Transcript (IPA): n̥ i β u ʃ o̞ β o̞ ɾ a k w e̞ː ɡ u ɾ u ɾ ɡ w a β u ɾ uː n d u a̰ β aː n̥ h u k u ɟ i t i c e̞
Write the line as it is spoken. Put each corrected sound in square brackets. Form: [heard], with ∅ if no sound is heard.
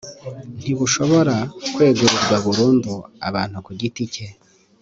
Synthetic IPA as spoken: n̥ i β u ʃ o̞ β o̞ ɾ a k w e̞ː ɡ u ɾ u ɾ ɡ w a β u ɾ uː n d u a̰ β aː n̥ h u k u ɟ i t i c e̞